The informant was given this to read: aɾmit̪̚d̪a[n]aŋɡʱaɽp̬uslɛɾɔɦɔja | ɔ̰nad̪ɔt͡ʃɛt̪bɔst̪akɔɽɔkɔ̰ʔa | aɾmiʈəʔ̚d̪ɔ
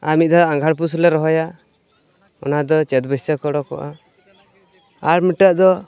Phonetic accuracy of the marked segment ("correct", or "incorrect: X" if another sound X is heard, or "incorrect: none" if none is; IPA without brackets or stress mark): incorrect: none